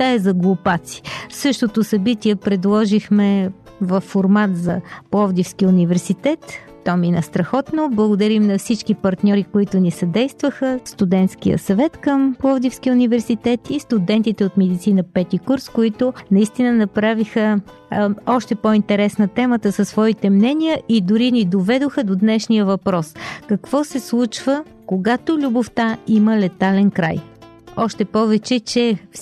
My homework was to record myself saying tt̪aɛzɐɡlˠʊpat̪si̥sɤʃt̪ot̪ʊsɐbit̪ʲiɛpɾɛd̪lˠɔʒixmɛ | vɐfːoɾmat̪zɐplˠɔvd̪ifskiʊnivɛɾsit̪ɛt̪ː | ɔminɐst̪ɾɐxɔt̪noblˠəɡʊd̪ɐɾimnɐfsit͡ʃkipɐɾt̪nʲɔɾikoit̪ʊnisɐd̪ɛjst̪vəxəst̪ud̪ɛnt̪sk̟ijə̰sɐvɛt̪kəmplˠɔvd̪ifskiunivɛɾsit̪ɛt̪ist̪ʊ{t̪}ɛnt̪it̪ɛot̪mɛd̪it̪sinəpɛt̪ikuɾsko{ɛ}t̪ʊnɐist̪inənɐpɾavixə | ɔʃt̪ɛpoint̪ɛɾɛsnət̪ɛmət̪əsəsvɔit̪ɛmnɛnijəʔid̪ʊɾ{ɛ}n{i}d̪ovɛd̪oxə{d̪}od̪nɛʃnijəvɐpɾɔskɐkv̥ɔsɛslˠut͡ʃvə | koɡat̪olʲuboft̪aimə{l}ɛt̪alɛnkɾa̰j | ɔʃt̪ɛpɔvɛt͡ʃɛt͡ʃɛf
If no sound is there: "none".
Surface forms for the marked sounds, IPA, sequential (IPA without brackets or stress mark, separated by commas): d̪, i, i, i, d̪, l